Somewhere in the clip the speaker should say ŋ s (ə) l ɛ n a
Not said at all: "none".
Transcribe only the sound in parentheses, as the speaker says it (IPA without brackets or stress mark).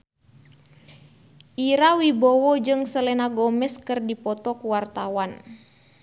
ə